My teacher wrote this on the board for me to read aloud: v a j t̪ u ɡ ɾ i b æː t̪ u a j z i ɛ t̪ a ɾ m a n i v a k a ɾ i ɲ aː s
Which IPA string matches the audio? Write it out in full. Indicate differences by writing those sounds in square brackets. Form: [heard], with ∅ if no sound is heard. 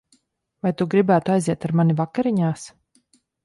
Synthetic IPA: v a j t̪ u ɡ ɾ i b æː t̪ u a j z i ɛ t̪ a ɾ m a n i v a k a ɾ i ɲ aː s